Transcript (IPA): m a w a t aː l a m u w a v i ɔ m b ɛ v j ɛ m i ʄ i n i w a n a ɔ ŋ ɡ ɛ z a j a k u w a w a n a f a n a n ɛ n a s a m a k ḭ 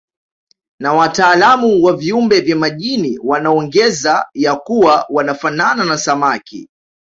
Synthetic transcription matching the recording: n a w a t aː l a m u w a v i u m b ɛ v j a m a ʄ i n i w a n a ɔ ŋ ɡ ɛ z a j a k u w a w a n a f a n a n a n a s a m a k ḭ

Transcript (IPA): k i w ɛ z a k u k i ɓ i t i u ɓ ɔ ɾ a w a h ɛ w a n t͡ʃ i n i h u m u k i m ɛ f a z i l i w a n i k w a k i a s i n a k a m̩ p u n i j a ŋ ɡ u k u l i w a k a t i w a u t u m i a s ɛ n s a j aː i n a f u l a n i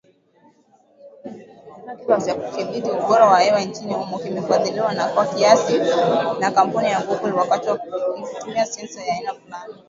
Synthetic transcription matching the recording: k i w a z a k u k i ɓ i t i u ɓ ɔ ɾ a w a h ɛ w a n t͡ʃ i n i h u m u k i m ɛ f a ð i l i w a n a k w a k i a s i n a k a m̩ p u n i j a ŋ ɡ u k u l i w a k a t i w a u t u m i a s ɛ n s a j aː i n a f u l a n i

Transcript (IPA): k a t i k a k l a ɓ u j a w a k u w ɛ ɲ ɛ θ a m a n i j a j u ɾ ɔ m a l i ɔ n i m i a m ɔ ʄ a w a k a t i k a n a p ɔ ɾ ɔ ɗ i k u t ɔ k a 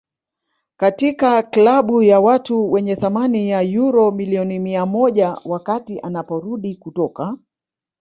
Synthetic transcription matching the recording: k a t i k a k l a ɓ u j a w a t u w ɛ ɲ ɛ θ a m a n i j a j u ɾ ɔ m i l i ɔ n i m i a m ɔ ʄ a w a k a t i ʔ a n a p ɔ ɾ u ɗ i k u t ɔ k a

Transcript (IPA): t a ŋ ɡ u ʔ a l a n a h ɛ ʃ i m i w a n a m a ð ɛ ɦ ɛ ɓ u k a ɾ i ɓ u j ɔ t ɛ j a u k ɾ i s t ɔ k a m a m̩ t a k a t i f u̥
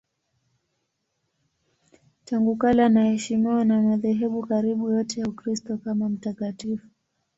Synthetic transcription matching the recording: t a ŋ ɡ u k a l a n a h ɛ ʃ i m i w a n a m a ð ɛ ɦ ɛ ɓ u k a ɾ i ɓ u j ɔ t ɛ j a u k ɾ i s t ɔ k a m a m̩ t a k a t i f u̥

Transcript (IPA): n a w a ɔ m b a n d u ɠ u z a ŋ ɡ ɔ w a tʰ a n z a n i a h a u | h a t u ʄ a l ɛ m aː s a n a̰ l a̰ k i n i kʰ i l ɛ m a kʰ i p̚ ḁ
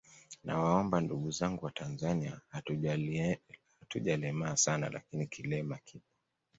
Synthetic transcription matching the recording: n a w a ɔ m b a n d u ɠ u z a ŋ ɡ u w a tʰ a n z a n i a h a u | h a t u ʄ a l ɛ m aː s a n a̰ l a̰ k i n i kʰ i l ɛ m a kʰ i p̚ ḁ

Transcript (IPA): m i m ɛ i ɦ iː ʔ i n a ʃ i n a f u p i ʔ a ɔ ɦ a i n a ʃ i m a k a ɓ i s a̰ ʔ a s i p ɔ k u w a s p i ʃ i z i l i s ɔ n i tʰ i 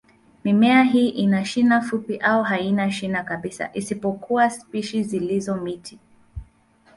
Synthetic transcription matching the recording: m i m ɛ a ɦ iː ʔ i n a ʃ i n a f u p i ʔ a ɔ ɦ a i n a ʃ i n a k a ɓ i s a̰ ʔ i s i p ɔ k u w a s p i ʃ i z i l i z ɔ m i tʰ i

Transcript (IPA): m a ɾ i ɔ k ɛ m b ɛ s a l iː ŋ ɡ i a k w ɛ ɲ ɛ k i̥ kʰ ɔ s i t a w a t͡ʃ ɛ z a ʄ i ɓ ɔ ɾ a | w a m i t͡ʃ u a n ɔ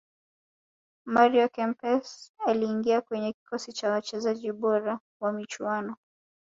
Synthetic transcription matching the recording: m a ɾ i ɔ k ɛ m p ɛ s a l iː ŋ ɡ i a k w ɛ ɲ ɛ k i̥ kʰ ɔ s i t͡ʃ a w a t͡ʃ ɛ z a ʄ i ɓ ɔ ɾ a | w a m i t͡ʃ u a n ɔ

